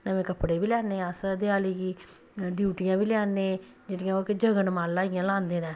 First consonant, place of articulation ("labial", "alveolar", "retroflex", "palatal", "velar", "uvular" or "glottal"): alveolar